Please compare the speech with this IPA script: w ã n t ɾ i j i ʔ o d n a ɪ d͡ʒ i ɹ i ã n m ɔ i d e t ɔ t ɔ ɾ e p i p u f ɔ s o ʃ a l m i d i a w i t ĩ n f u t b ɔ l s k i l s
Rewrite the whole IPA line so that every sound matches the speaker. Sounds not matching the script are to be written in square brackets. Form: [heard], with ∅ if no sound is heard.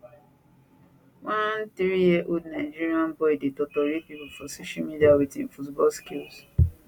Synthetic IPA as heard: w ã n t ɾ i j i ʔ o d n a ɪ d͡ʒ i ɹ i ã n [b] ɔ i d e t ɔ t ɔ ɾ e p i p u f ɔ s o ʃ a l m i d i a w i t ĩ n f u t b ɔ l s k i l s